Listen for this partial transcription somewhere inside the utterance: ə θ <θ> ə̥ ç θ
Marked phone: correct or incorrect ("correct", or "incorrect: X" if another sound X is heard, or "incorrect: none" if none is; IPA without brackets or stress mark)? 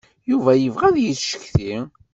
incorrect: ʃ